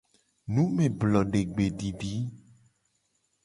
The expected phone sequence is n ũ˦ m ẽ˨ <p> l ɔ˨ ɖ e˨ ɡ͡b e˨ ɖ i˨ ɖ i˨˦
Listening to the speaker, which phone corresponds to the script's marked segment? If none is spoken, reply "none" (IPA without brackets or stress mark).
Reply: b